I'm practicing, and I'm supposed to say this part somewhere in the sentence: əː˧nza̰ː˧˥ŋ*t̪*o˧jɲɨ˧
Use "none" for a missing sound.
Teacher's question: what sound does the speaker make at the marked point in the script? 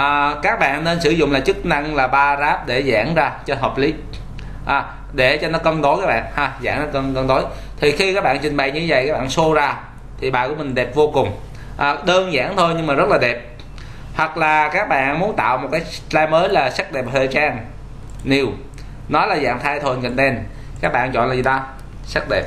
t̪ʰ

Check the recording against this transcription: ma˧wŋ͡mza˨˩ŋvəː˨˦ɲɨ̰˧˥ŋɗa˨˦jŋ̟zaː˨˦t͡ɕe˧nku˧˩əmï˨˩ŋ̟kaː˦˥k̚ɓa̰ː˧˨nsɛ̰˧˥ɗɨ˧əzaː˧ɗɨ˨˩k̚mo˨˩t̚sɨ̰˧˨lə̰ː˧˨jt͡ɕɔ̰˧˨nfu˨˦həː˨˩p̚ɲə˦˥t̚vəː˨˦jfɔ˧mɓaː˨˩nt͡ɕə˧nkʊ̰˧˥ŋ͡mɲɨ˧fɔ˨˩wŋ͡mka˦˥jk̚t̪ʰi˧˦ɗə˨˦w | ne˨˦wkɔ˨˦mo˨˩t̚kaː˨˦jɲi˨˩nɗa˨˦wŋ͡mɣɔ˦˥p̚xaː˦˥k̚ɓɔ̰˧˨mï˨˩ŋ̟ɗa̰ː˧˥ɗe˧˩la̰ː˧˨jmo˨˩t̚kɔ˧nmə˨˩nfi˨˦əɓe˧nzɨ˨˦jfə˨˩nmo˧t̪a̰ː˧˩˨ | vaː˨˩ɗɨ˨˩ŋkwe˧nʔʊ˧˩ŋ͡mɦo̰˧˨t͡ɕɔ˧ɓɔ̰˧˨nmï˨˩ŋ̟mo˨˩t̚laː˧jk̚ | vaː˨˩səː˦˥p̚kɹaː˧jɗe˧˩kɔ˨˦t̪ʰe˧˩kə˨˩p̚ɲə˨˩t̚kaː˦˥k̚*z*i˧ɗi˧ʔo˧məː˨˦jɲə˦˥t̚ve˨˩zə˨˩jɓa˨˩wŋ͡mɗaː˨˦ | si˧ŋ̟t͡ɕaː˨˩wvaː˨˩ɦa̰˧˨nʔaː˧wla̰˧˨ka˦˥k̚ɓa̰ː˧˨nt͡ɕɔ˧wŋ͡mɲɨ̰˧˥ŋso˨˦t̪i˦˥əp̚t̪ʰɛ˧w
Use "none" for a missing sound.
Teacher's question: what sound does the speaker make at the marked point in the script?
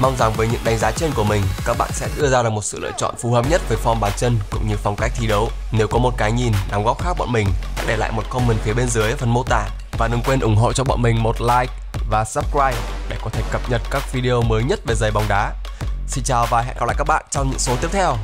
v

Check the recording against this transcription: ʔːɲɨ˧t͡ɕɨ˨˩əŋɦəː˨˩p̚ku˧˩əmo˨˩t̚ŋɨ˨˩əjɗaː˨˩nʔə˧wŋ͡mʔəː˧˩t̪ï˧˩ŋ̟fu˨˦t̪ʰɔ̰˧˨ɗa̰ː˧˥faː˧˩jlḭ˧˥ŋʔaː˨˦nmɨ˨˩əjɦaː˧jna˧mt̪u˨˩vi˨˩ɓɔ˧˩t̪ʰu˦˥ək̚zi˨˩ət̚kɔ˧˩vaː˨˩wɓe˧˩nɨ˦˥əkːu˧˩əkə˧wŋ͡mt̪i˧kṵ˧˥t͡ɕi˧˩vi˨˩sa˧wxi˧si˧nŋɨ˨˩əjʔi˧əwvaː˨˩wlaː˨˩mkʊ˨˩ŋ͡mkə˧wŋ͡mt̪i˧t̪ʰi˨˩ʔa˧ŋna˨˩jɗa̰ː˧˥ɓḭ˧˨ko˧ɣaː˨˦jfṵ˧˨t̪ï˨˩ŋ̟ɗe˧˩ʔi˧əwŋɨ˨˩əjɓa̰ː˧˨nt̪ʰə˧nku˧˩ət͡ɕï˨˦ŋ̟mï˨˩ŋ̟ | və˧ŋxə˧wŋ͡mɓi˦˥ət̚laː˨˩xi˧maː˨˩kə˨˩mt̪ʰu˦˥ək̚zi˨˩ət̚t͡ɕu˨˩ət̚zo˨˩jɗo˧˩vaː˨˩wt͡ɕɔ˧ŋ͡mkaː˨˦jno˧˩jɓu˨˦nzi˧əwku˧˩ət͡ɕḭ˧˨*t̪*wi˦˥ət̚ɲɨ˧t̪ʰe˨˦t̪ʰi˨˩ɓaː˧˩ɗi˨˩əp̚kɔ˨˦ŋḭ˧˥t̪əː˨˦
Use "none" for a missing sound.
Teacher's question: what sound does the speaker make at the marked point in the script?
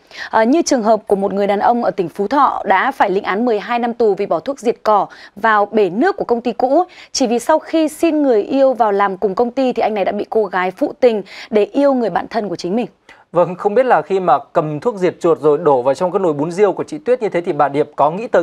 t̪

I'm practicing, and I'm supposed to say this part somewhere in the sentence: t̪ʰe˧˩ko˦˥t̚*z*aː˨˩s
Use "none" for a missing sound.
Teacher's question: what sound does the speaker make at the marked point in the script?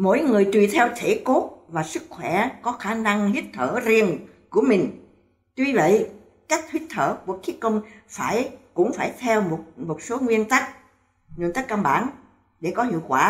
v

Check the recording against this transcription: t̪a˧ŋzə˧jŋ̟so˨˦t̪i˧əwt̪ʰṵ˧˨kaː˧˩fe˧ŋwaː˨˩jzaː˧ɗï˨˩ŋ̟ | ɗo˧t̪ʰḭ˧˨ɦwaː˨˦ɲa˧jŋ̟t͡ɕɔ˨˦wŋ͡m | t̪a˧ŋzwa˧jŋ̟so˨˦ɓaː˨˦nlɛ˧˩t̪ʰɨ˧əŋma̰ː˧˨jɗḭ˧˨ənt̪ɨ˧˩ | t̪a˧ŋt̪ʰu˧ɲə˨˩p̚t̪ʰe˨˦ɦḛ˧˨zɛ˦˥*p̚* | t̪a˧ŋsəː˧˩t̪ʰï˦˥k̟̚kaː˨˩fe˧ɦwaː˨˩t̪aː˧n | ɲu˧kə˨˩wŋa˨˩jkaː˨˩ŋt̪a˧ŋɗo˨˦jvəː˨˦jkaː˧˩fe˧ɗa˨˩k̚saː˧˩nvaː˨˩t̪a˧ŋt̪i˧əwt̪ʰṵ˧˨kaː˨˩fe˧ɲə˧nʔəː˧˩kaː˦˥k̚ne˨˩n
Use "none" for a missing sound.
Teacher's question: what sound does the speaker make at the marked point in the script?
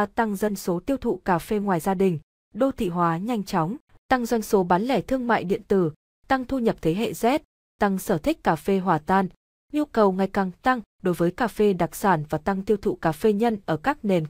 t̚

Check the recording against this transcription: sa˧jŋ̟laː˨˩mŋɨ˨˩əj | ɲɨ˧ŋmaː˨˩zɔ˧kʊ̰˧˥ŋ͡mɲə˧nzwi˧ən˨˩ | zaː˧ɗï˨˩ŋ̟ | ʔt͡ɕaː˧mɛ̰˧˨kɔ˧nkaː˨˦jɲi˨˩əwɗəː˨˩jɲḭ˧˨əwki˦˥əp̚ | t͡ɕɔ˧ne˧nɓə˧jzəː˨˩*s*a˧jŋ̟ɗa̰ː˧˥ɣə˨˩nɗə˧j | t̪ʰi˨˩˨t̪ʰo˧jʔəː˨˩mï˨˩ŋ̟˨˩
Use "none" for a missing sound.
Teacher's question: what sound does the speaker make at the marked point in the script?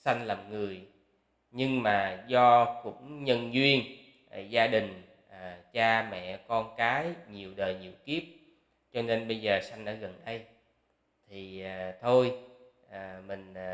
s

